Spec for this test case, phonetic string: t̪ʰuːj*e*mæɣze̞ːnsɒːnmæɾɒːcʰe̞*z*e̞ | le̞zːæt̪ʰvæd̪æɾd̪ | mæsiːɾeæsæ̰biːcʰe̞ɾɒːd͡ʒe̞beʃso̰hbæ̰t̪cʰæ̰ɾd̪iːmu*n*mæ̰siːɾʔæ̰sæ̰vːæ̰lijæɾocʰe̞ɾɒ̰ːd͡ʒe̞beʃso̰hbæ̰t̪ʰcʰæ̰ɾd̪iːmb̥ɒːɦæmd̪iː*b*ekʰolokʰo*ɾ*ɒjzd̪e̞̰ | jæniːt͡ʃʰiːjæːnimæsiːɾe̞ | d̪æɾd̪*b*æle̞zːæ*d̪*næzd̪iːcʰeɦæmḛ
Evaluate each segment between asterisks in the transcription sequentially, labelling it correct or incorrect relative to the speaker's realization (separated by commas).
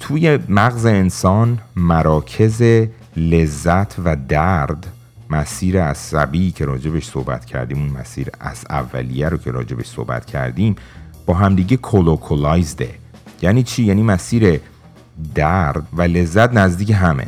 correct, correct, correct, incorrect, incorrect, incorrect, incorrect